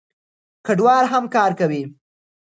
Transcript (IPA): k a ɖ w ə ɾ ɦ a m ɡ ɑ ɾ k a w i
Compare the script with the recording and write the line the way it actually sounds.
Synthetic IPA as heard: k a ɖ w ɑ ɾ ɦ a m k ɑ ɾ k a w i